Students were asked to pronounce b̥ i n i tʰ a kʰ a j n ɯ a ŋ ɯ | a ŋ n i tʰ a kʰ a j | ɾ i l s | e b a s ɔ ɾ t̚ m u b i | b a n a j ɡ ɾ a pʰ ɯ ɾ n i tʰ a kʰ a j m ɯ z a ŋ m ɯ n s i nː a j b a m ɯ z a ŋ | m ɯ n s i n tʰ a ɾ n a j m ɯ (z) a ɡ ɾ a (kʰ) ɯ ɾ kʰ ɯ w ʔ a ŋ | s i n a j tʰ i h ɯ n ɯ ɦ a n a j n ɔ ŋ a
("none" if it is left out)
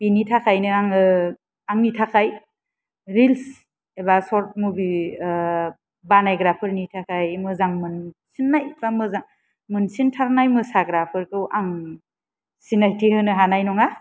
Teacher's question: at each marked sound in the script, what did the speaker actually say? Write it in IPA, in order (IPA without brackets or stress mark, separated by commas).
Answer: s, pʰ